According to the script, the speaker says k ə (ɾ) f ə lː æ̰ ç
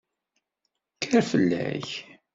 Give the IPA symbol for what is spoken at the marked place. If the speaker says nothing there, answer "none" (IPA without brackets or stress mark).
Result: ɾ